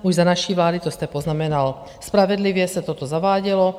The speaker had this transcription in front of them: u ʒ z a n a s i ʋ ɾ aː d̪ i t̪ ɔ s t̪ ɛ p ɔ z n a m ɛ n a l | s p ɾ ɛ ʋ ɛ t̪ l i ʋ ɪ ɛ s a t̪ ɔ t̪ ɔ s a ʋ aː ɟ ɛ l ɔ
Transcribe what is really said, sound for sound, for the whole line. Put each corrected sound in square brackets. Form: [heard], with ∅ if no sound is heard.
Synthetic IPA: u ʒ z a n a [ʃ] i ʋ [l] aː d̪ i t̪ ɔ s t̪ ɛ p ɔ z n a m ɛ n a l | s p ɾ [a] ʋ ɛ [d̪] l i ʋ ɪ ɛ s a t̪ ɔ t̪ ɔ [z] a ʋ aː ɟ ɛ l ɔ